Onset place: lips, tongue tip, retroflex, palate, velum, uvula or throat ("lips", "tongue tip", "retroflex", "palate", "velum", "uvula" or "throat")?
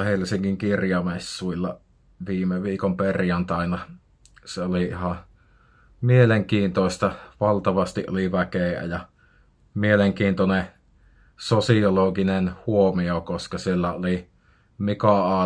throat